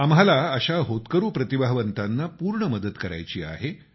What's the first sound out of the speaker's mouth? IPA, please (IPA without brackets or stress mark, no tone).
a